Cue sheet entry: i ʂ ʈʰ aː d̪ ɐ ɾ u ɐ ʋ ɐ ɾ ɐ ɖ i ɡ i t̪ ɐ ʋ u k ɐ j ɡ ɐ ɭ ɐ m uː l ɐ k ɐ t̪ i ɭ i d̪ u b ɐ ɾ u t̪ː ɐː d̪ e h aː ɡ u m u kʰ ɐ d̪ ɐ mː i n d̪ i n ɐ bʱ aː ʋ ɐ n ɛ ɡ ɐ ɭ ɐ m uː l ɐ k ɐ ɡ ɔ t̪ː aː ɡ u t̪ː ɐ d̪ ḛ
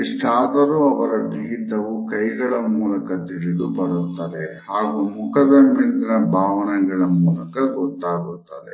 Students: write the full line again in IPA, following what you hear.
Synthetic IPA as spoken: i ʂ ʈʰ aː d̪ ɐ ɾ u ɐ ʋ ɐ ɾ ɐ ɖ i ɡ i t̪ ɐ ʋ u k ɐ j ɡ ɐ ɭ ɐ m uː l ɐ k ɐ t̪ i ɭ i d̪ u b ɐ ɾ u t̪ː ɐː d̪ e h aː ɡ u m u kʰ ɐ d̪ ɐ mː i n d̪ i n ɐ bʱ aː ʋ ɐ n ɛ ɡ ɐ ɭ ɐ m uː l ɐ k ɐ ɡ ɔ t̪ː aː ɡ u t̪ː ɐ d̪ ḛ